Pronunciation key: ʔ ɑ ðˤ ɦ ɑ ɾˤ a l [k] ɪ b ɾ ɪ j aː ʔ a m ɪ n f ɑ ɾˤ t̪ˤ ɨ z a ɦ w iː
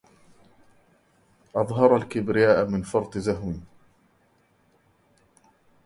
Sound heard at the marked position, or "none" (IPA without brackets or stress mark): k